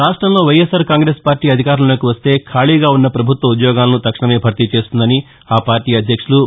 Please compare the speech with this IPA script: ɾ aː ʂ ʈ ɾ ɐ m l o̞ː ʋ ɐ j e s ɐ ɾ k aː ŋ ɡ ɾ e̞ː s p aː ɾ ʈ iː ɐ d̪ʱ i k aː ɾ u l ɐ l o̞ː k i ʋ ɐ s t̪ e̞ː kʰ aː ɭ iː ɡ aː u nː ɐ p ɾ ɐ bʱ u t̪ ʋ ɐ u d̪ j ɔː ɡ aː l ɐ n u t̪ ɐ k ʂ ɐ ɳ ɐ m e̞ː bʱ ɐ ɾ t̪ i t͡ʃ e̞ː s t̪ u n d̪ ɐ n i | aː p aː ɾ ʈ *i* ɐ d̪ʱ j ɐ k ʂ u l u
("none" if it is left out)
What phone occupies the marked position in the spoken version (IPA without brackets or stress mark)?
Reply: iː